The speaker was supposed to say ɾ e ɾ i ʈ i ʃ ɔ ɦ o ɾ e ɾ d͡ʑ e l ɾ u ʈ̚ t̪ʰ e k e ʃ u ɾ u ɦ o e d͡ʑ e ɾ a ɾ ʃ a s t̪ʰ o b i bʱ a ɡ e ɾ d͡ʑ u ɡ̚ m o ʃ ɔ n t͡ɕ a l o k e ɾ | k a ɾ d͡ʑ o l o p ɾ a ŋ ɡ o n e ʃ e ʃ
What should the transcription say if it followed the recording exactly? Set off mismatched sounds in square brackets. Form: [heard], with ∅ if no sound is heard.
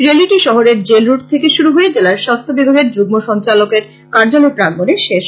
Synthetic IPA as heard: ɾ e [l] i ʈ i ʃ ɔ ɦ o ɾ e ɾ d͡ʑ e l ɾ u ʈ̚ t̪ʰ e k e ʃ u ɾ u ɦ o e d͡ʑ e [l] a ɾ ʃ a s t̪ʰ o b i bʱ a ɡ e ɾ d͡ʑ u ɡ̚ m o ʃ ɔ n t͡ɕ a l o k e ɾ | k a ɾ d͡ʑ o l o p ɾ a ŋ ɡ o n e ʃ e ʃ